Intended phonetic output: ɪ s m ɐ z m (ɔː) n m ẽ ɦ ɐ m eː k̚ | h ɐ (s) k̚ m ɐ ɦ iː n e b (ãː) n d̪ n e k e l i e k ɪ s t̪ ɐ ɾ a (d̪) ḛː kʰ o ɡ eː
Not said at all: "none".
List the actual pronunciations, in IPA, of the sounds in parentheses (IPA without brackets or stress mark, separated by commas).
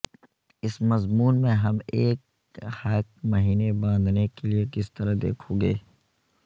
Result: uː, none, ãː, d̪